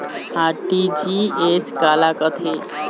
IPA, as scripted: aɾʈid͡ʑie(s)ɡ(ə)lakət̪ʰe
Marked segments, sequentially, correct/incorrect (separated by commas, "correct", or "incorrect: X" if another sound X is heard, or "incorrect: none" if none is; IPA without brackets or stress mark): correct, incorrect: a